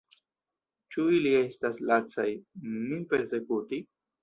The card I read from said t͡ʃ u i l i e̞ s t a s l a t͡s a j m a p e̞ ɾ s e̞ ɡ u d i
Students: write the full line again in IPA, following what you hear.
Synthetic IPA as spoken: t͡ʃ u i l i e̞ s t a s l a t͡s a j m i p e̞ ɾ s e̞ k u t i